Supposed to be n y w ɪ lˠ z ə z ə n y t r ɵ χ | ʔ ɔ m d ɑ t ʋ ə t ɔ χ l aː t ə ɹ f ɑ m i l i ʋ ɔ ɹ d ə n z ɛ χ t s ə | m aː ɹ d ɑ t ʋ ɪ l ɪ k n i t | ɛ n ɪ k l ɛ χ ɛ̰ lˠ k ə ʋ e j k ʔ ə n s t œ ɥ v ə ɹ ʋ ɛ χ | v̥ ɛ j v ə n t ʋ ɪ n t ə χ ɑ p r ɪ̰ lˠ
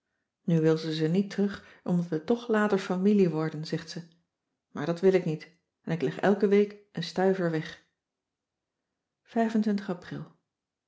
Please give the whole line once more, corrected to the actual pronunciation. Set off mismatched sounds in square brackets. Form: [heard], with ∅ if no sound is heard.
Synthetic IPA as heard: n y [ʋ] ɪ lˠ z ə z ə n [i] t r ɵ χ | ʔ ɔ m d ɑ t ʋ ə t ɔ χ l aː t ə ɹ f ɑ m i l i ʋ ɔ ɹ d ə n z ɛ χ t s ə | m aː ɹ d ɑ t ʋ ɪ l ɪ k n i t | ɛ n ɪ k l ɛ χ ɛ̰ lˠ k ə ʋ e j k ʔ ə n s t œ ɥ v ə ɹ ʋ ɛ χ | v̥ ɛ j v ə n t ʋ ɪ n t ə χ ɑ p r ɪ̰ lˠ